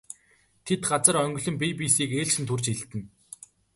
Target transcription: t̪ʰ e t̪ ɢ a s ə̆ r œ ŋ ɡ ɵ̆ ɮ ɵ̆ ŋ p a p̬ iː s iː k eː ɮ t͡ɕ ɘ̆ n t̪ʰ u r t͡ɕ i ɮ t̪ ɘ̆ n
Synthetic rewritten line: t̪ʰ e t̪ ɢ a t͡s ə̆ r œ ŋ ɡ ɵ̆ ɮ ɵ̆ m p i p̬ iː s iː k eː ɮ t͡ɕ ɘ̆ n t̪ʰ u r t͡ɕ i ɮ t̪ ɘ̆ n

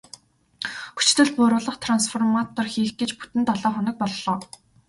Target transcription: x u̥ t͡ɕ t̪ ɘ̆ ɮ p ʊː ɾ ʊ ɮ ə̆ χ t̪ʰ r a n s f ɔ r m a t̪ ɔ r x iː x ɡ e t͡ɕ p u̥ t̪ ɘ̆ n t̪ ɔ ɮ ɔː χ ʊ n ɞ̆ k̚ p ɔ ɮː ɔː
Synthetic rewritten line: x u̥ t͡ɕ t̪ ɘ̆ ɮ p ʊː ɾ ʊː ɮ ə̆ χ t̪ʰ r a n s f ɔ r m a t̪ ɔ r x iː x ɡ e t͡ɕ p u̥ t̪ ɘ̆ n t̪ ɔ ɮ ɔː χ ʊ n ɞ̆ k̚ p ɔ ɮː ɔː

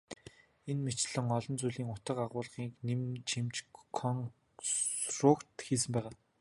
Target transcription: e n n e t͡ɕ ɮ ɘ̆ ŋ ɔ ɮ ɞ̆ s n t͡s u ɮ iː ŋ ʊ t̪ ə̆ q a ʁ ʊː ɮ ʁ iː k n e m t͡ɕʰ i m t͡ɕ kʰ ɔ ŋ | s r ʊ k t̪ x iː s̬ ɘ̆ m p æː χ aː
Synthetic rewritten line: e n m e t͡ɕ ɮ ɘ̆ ŋ ɔ ɮ ɞ̆ n t͡s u ɮ iː ŋ ʊ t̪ ə̆ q a ʁ ʊː ɮ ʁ iː k n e m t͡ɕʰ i m t͡ɕ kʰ ɔ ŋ | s r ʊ k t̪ x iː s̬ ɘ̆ m p æː ʁ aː

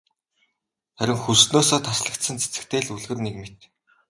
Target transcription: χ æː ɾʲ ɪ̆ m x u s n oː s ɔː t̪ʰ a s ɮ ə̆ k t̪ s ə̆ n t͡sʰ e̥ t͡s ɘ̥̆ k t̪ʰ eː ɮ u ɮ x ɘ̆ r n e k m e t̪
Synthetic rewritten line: χ æ ɾʲ ɪ̆ ŋ x u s n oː s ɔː t̪ʰ a s ɮ ə̆ k t̪ s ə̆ n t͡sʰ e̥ t͡s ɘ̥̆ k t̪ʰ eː ɮ u ɮ ɣ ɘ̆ r n e k m e t̪

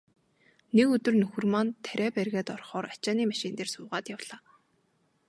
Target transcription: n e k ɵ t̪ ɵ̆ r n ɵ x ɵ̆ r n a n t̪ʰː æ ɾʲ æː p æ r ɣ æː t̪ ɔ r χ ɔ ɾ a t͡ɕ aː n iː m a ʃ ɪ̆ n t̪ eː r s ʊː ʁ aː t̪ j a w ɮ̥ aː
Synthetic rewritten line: n e k ɵ t̪ ɵ̆ r n ɵ x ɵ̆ r m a n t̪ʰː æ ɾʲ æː p æ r ɣ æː t̪ ɔ r χ ɔː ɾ a t͡ɕ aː n iː m a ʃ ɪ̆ n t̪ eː r s ʊː ʁ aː t̪ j a w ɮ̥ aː

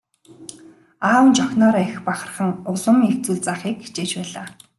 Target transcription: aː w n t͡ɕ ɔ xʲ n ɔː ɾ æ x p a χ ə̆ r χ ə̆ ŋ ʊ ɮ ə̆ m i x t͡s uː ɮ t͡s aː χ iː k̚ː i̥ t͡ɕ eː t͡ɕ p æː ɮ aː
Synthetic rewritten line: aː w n t͡ɕ ɔ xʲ n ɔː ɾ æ x p a χ ə̆ r χ ə̆ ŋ ʊ ɮ ə̆ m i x t͡s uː ɮ t͡s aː χ iː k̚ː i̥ t͡ɕ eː t͡ɕ p æː ɮ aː

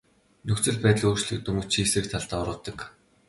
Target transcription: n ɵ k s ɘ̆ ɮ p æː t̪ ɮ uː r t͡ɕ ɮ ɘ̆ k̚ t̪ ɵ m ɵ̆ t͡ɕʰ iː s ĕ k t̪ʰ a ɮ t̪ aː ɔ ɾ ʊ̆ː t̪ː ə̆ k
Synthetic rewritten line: n ɵ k t͡s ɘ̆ ɮ p æː t̪ ɮ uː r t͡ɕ ɮ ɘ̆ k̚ t̪ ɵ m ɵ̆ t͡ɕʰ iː s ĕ k t̪ʰ a ɮ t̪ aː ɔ ɾ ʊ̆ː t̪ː ə̆ k

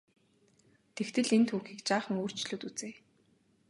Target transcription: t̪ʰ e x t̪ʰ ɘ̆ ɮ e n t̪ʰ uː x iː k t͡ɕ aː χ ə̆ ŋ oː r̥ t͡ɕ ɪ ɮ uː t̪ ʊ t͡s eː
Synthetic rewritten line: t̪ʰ e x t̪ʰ ɘ̆ ɮ e n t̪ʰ uː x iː k t͡ɕ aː χ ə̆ ŋ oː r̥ t͡ɕ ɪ ɮ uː t̪ u t͡s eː

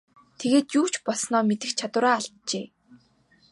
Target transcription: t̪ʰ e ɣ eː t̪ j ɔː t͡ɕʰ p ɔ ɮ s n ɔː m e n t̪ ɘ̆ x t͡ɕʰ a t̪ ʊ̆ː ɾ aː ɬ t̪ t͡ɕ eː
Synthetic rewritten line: t̪ʰ e ɣ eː t̪ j uː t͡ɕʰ p ɔ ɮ s n ɔː m e t̪ ɘ̆ x t͡ɕʰ a t̪ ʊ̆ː ɾ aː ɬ t̪ t͡ɕ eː

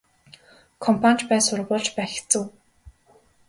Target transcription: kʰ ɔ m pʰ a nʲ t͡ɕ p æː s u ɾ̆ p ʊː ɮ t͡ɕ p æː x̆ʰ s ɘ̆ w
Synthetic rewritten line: kʰ ɔ m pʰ a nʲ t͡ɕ p æː s ʊ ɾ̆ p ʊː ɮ t͡ɕ p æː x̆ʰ t͡s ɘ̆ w

